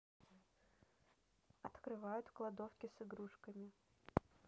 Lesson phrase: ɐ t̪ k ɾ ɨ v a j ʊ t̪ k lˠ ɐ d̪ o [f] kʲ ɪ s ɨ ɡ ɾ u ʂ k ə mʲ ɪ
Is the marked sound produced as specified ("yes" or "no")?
yes